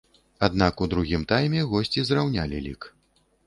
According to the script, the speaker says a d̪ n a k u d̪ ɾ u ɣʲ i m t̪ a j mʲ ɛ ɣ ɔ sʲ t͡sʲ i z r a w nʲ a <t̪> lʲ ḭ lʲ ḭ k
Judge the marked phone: incorrect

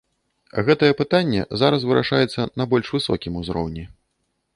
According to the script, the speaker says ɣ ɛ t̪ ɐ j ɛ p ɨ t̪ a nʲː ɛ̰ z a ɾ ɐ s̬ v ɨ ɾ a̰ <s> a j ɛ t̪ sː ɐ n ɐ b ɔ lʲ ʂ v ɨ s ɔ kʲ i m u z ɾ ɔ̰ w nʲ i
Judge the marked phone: incorrect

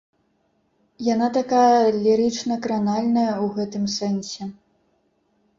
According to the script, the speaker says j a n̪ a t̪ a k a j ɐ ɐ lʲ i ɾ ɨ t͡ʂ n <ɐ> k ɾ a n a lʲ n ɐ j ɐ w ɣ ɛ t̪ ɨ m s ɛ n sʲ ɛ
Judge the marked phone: correct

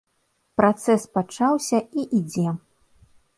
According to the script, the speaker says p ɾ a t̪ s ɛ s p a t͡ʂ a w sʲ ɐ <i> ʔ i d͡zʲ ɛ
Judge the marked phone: correct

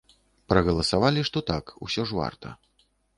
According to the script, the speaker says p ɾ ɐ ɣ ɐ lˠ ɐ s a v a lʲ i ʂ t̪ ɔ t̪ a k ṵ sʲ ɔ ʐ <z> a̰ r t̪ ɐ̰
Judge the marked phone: incorrect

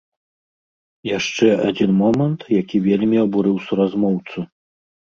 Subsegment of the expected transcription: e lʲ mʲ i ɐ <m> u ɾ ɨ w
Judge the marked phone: incorrect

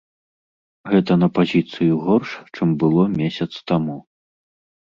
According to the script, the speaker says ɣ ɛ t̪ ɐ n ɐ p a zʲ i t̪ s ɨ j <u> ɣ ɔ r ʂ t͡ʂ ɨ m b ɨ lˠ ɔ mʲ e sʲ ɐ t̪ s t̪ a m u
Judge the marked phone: correct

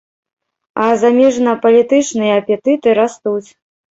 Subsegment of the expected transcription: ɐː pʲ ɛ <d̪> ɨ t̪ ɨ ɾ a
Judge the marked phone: incorrect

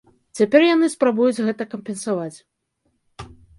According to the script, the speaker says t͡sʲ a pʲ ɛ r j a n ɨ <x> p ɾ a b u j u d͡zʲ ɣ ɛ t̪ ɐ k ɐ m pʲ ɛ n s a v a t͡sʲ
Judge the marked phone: incorrect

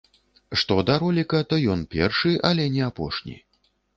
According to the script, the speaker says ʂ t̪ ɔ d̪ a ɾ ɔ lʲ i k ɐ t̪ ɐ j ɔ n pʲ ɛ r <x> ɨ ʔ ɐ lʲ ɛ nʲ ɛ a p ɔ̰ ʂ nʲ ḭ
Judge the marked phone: incorrect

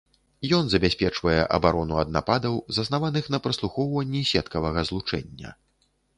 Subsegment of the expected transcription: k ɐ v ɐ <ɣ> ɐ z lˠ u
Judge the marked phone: correct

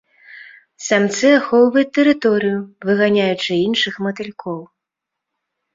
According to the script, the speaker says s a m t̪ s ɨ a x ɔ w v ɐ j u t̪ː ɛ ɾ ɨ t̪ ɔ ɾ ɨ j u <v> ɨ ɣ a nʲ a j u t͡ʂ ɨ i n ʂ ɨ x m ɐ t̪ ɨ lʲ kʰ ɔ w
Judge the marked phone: correct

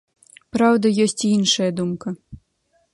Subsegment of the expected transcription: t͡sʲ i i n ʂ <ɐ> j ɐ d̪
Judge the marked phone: correct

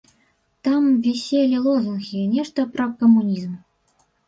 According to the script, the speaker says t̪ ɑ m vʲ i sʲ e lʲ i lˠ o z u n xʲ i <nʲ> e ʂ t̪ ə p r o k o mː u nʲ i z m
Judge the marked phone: correct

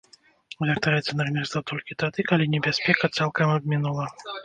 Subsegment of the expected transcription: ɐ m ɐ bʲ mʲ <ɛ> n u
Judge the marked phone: incorrect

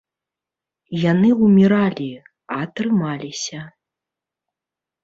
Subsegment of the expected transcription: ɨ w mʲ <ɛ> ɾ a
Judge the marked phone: incorrect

